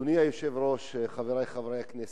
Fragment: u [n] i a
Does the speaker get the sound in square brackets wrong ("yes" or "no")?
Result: no